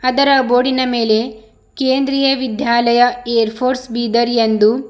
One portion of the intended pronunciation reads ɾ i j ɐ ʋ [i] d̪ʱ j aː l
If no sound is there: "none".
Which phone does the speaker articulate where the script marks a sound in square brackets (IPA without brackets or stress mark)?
i